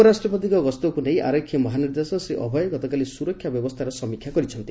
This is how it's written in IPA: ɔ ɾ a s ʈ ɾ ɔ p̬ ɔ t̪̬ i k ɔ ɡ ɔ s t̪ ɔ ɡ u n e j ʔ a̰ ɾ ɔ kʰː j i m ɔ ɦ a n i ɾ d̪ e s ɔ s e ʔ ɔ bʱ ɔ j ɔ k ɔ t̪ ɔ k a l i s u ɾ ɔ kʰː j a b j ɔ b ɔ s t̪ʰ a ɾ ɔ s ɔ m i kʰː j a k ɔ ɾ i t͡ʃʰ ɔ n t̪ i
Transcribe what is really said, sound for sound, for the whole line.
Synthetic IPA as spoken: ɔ ɾ a s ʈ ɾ ɔ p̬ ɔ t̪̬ i k ɔ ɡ ɔ s t̪ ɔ k u n e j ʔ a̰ ɾ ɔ kʰː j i m ɔ ɦ a n i ɾ d̪ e s ɔ s e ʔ ɔ bʱ ɔ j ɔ ɡ ɔ t̪ ɔ k a l i s u ɾ ɔ kʰː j a b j ɔ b ɔ s t̪ʰ a ɾ ɔ s ɔ m i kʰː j a k ɔ ɾ i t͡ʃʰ ɔ n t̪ i